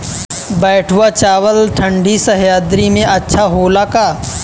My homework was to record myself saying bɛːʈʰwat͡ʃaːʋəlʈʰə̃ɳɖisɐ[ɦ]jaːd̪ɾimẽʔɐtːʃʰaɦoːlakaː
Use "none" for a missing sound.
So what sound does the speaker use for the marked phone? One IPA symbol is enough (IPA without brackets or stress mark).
ɦ